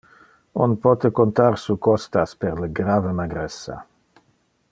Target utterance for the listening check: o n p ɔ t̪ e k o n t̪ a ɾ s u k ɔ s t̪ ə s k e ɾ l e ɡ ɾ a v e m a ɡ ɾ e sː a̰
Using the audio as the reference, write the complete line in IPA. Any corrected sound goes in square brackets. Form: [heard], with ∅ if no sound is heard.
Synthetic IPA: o n p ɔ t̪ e k o n t̪ a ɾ s u k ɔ s t̪ [a] s [p] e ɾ l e ɡ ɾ a v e m a ɡ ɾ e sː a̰